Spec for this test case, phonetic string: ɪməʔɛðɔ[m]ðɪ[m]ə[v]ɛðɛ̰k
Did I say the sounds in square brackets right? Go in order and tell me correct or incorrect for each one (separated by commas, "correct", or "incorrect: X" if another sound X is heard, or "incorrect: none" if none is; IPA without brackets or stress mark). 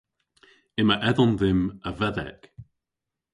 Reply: incorrect: n, correct, correct